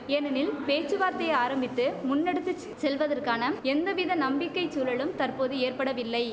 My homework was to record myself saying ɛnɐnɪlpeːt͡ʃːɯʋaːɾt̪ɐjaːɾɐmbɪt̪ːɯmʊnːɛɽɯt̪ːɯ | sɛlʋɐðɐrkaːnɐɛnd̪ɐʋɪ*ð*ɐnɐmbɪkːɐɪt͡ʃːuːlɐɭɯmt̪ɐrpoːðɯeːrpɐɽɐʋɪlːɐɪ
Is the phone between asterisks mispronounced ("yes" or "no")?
no